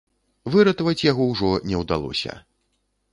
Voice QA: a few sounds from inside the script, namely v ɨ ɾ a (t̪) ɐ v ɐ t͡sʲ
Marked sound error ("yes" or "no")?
no